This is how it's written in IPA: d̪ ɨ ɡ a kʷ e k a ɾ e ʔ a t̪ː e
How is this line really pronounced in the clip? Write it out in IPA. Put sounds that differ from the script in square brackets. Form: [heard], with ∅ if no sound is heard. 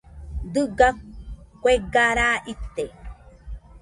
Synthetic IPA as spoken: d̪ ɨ ɡ a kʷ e [ɡ] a ɾ [a] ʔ [i] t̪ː e